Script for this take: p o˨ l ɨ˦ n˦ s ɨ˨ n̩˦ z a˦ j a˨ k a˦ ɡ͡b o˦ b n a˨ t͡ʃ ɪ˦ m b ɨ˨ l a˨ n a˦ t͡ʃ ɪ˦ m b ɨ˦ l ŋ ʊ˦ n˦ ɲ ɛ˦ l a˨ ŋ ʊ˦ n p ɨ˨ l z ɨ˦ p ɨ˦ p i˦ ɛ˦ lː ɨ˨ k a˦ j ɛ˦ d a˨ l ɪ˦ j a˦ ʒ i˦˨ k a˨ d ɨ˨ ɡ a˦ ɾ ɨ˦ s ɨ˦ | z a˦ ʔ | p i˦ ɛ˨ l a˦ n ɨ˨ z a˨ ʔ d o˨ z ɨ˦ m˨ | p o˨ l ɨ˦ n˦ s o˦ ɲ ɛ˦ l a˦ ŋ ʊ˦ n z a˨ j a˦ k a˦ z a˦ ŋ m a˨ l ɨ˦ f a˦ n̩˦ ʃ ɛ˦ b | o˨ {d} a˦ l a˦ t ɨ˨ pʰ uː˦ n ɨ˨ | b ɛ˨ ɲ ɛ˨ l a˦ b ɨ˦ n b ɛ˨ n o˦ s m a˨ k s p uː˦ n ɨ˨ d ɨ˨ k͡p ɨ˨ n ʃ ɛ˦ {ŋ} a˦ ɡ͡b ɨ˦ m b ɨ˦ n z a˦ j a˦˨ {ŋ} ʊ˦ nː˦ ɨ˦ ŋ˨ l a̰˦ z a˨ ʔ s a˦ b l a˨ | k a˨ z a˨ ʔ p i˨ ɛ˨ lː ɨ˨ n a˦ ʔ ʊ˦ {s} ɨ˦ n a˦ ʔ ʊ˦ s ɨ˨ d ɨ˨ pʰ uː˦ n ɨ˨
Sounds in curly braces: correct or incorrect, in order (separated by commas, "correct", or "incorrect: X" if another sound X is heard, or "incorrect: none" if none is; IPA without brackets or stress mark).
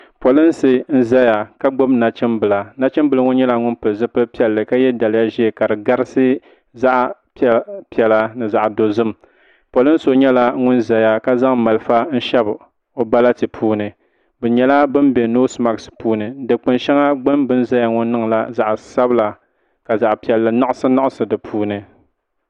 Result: incorrect: b, correct, correct, correct